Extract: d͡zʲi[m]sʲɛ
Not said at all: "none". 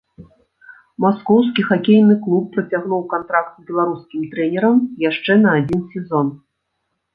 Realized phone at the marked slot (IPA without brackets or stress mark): n